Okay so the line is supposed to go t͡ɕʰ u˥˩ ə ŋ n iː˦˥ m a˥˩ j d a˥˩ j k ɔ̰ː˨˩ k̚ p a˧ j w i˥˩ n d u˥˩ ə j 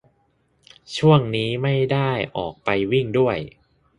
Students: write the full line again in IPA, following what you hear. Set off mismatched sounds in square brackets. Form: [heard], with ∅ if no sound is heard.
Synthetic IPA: t͡ɕʰ u˥˩ ə ŋ n iː˦˥ m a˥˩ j d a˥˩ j [ʔ] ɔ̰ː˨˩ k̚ p a˧ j w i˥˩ [ŋ] d u˥˩ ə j

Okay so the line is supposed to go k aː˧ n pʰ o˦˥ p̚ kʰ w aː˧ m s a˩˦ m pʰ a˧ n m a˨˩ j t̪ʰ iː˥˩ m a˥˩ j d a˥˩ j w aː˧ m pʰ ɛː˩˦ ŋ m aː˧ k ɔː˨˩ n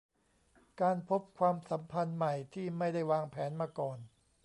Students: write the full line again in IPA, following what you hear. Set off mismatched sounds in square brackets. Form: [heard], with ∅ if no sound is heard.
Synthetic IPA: k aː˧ n pʰ o˦˥ p̚ kʰ w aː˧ m s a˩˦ m pʰ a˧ n m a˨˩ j t̪ʰ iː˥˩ m a˥˩ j d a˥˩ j w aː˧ [ŋ] pʰ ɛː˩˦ [n] m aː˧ k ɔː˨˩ n

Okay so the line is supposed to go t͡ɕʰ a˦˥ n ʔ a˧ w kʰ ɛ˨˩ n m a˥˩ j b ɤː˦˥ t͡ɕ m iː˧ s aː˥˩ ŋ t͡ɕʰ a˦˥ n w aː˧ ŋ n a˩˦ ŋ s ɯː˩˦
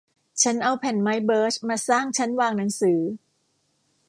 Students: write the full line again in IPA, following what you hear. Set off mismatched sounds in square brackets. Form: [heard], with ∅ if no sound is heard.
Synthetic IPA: t͡ɕʰ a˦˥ n ʔ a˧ w [pʰ] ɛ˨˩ n m [a˦˥] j b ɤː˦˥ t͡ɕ m [aː˧] s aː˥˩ ŋ t͡ɕʰ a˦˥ n w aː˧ ŋ n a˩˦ ŋ s ɯː˩˦

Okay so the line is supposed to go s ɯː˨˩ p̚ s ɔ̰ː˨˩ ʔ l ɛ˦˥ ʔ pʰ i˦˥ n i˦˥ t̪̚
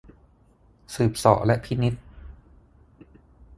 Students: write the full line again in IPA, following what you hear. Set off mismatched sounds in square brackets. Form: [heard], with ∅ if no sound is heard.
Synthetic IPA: s ɯː˨˩ p̚ s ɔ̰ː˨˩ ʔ l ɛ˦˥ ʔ pʰ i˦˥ n i˦˥ t̪̚

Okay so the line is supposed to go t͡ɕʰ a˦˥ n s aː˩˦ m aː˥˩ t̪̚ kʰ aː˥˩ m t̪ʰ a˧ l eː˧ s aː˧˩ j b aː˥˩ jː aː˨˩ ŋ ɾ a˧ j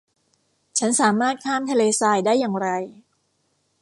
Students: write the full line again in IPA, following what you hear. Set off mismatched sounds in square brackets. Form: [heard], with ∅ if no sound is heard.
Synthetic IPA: t͡ɕʰ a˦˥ n s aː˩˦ m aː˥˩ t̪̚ kʰ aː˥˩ m t̪ʰ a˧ l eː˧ s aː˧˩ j [d] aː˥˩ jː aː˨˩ ŋ ɾ a˧ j

